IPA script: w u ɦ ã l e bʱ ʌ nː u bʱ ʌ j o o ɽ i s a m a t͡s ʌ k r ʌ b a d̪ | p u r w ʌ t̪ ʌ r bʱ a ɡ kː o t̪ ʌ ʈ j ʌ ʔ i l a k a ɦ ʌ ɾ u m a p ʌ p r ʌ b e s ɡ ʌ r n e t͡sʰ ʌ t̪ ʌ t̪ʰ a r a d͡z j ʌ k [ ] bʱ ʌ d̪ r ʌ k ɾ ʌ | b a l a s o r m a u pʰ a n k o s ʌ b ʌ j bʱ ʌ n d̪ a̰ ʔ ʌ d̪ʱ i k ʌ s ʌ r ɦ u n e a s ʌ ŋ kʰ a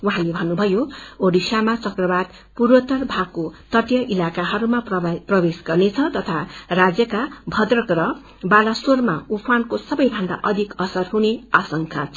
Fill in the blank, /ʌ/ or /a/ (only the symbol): a